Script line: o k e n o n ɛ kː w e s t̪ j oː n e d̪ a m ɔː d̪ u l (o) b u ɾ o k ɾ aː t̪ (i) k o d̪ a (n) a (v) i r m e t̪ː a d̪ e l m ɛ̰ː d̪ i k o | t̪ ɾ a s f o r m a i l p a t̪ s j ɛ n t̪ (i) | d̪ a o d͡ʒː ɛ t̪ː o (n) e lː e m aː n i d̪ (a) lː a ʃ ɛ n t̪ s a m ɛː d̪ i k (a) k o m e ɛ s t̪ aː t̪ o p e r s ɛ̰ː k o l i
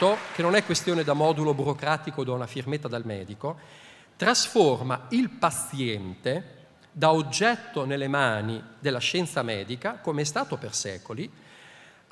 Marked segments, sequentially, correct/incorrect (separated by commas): correct, correct, correct, incorrect, incorrect, correct, incorrect, correct